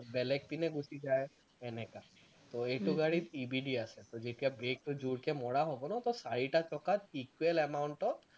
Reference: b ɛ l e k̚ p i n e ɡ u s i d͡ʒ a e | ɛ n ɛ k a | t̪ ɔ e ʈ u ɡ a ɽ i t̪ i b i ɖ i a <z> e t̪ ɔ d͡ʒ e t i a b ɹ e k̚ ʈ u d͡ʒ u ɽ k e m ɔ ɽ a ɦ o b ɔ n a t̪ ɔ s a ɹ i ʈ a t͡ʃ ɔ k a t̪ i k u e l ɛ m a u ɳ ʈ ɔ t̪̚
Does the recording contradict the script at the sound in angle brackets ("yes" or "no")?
yes